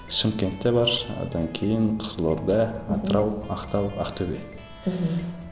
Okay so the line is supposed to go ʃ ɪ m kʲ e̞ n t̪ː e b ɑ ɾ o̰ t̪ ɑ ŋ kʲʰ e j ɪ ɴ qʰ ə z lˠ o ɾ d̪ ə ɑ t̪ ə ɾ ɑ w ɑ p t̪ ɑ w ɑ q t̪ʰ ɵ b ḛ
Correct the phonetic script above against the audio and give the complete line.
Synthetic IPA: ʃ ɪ m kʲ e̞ n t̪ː e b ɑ ɾ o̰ d̪ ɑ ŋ kʲʰ e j ɪ ɴ qʰ ə z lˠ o ɾ d̪ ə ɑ t̪ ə ɾ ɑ w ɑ q t̪ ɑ w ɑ q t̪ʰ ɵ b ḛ